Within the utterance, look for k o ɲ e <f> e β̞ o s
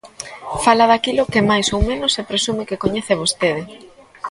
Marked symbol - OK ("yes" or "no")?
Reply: no